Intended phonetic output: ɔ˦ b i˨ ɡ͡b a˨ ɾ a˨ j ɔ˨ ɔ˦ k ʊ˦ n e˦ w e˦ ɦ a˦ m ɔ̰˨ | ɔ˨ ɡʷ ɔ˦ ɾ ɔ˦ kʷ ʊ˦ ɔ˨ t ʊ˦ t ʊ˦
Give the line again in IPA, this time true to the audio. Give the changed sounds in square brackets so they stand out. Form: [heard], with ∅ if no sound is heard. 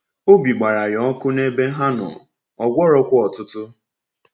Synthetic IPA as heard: [o˦] b i˨ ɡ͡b a˨ ɾ a˨ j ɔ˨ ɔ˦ k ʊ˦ n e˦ [b] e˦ ɦ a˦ [n] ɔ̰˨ | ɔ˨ ɡʷ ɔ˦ ɾ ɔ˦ kʷ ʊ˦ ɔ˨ t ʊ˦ t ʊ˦